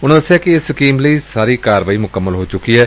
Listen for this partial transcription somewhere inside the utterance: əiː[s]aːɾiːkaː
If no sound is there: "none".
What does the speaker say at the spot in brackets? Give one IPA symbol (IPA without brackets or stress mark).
s